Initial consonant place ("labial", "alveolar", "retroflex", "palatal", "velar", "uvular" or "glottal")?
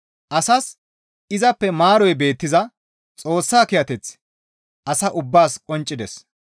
glottal